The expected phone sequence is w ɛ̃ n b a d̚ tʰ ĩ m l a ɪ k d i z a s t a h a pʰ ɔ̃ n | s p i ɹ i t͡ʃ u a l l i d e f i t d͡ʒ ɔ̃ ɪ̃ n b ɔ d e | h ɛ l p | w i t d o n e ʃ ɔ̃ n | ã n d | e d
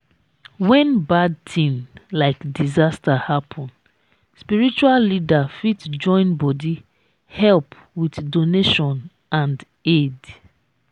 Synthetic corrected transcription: w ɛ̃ n b a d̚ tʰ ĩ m l a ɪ k d i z a s t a h a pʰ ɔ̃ n | s p i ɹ i t͡ʃ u a l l i d a f i t d͡ʒ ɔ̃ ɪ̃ n b ɔ d i | h ɛ l p | w i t d o n e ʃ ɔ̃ n | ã n d | e d